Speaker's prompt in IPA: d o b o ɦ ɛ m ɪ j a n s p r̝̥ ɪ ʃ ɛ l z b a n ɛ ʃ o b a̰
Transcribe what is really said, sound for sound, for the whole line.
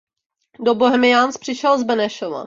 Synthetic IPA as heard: d o b o ɦ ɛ m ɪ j a n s p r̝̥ ɪ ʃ ɛ l z b ɛ n ɛ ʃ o v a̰